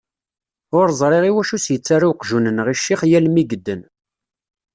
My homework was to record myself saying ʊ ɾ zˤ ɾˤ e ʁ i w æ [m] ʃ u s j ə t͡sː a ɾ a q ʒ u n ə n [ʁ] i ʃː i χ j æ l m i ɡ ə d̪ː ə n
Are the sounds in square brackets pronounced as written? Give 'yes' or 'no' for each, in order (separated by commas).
no, yes